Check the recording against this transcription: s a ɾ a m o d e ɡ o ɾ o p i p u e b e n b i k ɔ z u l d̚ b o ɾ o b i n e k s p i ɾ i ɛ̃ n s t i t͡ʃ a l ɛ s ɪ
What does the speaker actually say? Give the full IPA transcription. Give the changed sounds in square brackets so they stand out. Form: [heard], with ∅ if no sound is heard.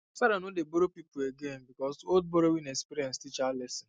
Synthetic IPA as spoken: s a ɾ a [n] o d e [b] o ɾ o p i p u e [ɡ] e n b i k ɔ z [o] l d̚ b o ɾ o [w] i n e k s p i ɾ i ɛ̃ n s t i t͡ʃ a l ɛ s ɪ